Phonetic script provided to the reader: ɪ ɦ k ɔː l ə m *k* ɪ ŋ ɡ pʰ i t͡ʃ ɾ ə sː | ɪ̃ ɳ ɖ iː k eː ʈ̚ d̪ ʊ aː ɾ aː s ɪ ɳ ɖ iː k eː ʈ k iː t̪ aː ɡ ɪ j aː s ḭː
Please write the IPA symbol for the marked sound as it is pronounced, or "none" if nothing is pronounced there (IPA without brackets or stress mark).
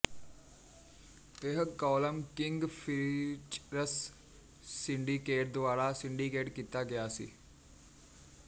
k